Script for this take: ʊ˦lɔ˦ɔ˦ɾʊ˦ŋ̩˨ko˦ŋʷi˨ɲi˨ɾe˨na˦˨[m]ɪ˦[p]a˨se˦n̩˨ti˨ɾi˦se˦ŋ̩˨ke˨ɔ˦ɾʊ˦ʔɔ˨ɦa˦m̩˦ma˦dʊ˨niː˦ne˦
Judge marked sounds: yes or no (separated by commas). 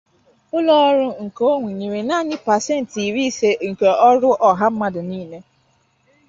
no, yes